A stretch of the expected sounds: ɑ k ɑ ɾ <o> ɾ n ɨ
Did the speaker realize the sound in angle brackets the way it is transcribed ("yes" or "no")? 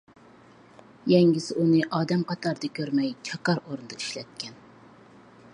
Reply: yes